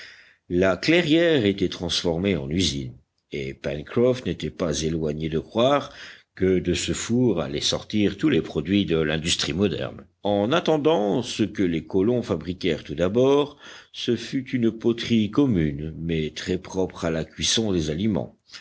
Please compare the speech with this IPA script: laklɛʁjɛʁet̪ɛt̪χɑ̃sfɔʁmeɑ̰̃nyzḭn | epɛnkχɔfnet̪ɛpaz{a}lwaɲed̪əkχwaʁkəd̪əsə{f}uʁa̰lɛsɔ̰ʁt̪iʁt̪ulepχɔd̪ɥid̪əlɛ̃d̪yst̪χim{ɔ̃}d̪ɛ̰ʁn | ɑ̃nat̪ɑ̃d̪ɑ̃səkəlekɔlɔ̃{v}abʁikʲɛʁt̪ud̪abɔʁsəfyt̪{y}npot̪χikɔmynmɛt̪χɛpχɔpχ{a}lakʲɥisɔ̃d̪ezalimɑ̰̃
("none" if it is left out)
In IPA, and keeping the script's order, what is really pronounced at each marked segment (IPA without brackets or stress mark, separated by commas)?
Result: e, f, ɔ, f, y, a